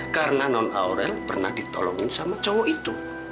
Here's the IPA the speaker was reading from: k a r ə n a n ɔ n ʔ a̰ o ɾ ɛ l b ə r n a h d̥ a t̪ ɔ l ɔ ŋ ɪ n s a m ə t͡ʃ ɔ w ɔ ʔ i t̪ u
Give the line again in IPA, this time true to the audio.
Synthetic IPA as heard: k a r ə n a n ɔ n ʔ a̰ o ɾ ɛ l p ə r n a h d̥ i t̪ ɔ l ɔ ŋ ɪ n s a m a t͡ʃ ɔ w ɔ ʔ i t̪ u